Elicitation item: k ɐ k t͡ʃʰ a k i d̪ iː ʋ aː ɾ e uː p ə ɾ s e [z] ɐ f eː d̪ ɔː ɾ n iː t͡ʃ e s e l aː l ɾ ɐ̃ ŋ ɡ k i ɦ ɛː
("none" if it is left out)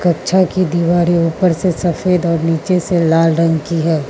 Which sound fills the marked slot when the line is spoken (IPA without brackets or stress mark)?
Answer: s